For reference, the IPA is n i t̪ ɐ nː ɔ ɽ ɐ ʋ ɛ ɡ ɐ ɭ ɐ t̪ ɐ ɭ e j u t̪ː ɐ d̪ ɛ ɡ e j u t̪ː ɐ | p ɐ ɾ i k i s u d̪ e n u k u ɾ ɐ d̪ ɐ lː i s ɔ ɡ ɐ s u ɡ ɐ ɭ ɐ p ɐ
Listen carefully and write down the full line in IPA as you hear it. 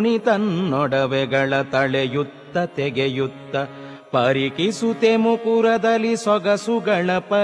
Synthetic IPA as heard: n i t̪ ɐ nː ɔ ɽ ɐ ʋ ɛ ɡ ɐ ɭ ɐ t̪ ɐ ɭ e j u t̪ː ɐ t̪ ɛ ɡ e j u t̪ː ɐ | p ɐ ɾ i k i s u t̪ e m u k u ɾ ɐ d̪ ɐ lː i s ɔ ɡ ɐ s u ɡ ɐ ɭ ɐ p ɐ